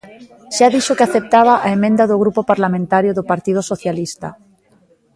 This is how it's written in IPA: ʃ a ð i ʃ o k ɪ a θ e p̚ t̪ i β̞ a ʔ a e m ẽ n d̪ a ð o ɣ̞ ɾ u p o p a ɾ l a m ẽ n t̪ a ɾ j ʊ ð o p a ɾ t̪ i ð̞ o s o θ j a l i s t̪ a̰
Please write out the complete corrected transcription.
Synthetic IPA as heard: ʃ a ð i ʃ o k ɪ a θ e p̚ t̪ a β̞ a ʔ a e m ẽ n d̪ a ð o ɣ̞ ɾ u p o p a ɾ l a m ẽ n t̪ a ɾ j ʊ ð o p a ɾ t̪ i ð̞ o s o θ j a l i s t̪ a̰